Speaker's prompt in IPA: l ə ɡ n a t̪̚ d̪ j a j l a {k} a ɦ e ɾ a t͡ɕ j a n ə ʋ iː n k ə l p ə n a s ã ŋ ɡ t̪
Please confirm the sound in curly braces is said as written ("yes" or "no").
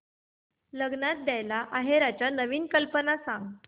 no